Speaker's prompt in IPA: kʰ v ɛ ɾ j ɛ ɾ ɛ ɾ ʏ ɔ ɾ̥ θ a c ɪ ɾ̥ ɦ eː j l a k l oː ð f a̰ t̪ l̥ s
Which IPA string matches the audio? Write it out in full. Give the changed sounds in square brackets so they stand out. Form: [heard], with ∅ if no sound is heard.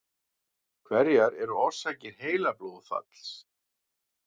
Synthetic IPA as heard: kʰ v ɛ ɾ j [a] ɾ ɛ ɾ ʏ ɔ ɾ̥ [s] a c ɪ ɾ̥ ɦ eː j l a [p] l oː ð f a̰ t̪ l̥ s